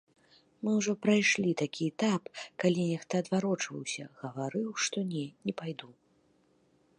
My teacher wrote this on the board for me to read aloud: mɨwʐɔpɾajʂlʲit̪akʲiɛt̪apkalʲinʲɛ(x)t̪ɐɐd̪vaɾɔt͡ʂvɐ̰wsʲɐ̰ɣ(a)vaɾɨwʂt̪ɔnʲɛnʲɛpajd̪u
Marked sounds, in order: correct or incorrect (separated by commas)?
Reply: correct, incorrect